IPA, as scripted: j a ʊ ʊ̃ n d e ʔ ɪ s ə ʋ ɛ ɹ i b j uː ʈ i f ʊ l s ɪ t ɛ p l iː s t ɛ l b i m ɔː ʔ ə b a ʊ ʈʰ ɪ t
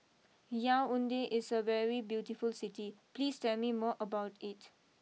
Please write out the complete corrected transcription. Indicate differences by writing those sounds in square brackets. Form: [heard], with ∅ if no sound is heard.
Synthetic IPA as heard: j a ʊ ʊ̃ n d e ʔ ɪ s ə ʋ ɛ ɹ i b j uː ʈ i f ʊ l s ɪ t [i] p l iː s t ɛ l [m] i m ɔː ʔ ə b a ʊ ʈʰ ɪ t